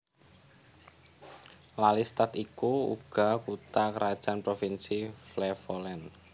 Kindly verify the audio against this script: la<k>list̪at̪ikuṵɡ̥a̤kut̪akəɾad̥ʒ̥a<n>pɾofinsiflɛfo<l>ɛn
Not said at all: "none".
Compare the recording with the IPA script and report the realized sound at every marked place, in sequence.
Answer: none, n, l

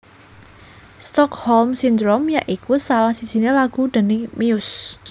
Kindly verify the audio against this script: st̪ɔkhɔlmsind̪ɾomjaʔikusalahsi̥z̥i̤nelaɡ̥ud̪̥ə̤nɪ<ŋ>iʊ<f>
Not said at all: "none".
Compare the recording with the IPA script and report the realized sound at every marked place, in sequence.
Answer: m, s

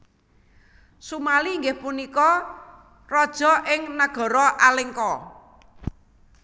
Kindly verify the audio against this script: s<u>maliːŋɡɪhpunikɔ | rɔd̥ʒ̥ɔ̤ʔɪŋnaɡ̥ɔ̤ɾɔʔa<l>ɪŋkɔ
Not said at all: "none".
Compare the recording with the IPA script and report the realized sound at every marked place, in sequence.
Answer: u, l

